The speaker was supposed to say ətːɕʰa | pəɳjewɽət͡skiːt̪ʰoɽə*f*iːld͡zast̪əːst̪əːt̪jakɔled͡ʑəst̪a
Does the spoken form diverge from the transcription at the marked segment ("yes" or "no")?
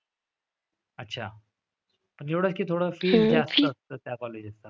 no